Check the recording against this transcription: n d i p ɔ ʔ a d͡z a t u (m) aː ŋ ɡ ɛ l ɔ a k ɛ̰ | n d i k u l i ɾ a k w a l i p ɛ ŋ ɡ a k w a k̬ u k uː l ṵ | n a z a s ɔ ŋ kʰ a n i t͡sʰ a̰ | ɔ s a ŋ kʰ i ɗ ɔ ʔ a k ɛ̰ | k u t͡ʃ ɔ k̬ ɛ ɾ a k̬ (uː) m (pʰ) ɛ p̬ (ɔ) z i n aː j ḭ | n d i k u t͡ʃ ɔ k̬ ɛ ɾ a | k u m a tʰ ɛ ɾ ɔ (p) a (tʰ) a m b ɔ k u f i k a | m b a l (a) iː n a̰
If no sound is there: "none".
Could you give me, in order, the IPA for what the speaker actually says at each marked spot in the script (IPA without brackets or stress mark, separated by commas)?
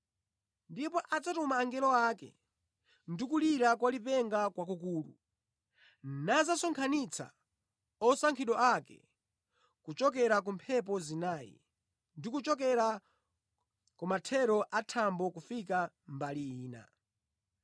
m, u, pʰ, ɔ, ʔ, tʰ, i